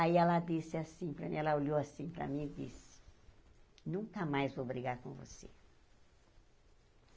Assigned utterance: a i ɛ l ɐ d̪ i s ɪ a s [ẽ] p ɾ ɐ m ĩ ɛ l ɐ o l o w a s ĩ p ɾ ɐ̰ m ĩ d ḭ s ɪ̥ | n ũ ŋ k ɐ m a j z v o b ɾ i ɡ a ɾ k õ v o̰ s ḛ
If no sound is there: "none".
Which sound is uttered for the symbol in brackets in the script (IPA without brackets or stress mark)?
ĩ